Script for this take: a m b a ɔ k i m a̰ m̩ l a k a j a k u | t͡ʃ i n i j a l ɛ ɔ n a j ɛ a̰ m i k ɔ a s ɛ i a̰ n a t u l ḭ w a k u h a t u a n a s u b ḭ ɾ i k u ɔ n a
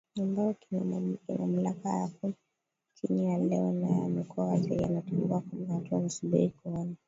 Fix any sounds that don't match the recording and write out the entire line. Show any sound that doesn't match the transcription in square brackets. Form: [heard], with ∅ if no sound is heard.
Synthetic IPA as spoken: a m b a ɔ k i m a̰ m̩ l a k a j a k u | t͡ʃ i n i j a l ɛ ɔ n a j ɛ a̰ m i k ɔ a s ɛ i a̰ n a t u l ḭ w a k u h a t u a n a s u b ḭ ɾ i k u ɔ n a